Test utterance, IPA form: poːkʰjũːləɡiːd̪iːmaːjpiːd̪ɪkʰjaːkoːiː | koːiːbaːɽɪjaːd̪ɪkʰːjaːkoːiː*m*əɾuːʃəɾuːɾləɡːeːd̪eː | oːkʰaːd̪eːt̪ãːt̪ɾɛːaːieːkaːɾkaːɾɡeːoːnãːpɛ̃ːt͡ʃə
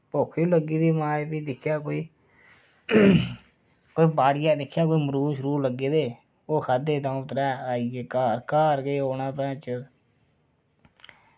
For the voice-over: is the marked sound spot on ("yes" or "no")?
yes